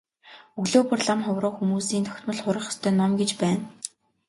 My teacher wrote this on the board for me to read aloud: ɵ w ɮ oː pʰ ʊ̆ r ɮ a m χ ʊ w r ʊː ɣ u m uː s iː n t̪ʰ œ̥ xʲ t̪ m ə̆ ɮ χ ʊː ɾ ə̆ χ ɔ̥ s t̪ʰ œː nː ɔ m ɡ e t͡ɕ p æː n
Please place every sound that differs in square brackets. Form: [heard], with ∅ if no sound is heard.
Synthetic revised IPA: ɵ [ɣ] ɮ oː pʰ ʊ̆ r ɮ a m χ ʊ w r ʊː [x] u m uː s iː n t̪ʰ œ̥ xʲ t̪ m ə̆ ɮ χ [ʊ] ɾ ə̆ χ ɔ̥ s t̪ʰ œː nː ɔ m ɡ e t͡ɕ p æː n